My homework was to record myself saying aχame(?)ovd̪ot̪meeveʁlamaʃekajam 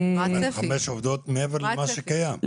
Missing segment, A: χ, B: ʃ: B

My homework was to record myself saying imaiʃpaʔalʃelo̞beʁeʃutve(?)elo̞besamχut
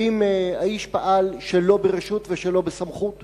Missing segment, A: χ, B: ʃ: B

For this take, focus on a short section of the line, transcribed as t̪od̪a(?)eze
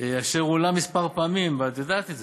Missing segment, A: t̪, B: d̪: A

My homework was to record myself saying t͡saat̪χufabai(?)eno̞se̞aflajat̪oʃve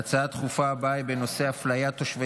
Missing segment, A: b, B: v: A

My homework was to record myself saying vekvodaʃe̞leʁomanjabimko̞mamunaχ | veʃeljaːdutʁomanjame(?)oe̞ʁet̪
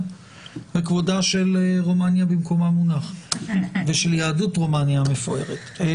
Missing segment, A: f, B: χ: A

